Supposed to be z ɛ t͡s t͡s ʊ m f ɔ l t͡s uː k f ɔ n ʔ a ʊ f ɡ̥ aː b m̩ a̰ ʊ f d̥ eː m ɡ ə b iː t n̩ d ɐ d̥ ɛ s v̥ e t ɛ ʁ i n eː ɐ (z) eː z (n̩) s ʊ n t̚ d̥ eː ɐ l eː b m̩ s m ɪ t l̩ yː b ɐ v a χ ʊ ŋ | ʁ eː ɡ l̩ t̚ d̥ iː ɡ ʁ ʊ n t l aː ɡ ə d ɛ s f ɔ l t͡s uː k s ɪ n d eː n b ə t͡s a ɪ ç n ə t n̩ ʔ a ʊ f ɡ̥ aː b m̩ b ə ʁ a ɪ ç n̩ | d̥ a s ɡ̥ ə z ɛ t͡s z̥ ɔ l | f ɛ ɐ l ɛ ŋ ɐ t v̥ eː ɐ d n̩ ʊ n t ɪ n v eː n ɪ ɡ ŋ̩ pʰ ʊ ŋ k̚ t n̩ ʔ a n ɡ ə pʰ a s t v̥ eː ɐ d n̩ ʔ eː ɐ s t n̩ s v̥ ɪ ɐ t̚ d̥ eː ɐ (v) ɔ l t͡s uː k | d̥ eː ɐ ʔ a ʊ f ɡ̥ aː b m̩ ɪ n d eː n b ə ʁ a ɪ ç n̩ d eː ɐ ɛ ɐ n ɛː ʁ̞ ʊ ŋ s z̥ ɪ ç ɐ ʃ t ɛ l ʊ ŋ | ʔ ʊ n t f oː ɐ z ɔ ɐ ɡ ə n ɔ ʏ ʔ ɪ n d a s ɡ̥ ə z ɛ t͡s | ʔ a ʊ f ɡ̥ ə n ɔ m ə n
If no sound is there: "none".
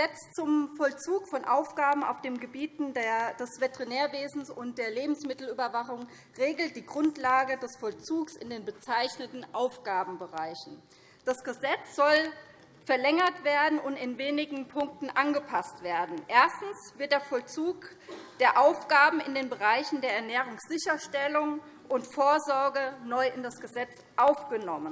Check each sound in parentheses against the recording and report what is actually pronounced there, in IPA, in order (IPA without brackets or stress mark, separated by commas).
v, n̩, f